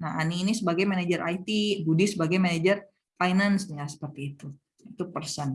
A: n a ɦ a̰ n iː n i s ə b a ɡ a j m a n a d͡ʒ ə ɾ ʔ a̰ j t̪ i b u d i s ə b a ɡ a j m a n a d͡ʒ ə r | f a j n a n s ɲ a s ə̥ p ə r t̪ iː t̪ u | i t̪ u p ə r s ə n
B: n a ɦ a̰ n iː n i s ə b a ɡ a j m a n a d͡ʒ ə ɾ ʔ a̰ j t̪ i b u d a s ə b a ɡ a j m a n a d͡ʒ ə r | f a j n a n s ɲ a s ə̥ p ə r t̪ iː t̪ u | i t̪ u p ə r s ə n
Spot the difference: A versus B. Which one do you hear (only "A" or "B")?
A